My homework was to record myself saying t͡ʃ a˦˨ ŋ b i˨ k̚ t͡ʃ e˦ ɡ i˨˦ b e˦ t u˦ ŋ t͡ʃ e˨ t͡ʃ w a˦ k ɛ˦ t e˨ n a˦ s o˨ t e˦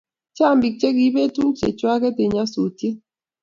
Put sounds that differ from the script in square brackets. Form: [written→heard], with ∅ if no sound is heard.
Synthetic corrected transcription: t͡ʃ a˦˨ [ŋ→m] b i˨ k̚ t͡ʃ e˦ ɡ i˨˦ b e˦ t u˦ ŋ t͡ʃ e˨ t͡ʃ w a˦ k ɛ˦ t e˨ [n→ɲ] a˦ s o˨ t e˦